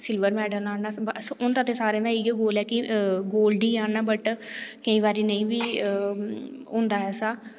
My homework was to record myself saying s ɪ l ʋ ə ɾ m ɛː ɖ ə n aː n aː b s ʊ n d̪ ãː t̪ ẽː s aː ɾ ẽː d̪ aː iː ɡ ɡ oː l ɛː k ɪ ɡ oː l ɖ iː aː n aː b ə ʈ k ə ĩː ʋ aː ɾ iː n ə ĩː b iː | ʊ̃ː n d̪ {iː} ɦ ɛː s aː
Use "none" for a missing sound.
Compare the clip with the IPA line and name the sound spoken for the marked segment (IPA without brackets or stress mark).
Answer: aː